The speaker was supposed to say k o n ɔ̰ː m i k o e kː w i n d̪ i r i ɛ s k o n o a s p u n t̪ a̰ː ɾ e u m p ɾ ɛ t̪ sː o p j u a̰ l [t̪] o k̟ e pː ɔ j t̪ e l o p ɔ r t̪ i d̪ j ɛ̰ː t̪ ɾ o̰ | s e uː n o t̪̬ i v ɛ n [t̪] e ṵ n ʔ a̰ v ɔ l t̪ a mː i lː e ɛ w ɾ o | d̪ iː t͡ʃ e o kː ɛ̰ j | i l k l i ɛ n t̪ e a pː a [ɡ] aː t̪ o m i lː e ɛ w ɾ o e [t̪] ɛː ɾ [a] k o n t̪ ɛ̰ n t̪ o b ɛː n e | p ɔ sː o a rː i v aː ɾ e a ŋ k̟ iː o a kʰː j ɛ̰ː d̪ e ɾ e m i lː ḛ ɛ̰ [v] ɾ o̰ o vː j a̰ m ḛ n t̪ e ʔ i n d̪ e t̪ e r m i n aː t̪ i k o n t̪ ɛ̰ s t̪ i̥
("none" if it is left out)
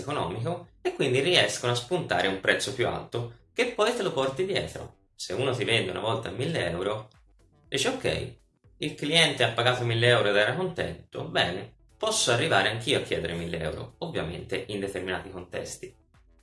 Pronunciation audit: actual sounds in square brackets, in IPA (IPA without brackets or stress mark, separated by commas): t̪, d̪, ɡ, d̪, a, w